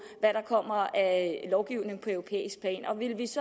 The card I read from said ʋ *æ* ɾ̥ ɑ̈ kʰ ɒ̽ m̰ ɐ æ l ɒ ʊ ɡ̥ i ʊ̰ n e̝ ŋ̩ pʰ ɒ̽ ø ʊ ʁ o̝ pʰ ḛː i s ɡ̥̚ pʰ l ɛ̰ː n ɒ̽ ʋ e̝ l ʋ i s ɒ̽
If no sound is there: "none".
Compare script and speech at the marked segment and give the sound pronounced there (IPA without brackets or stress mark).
æ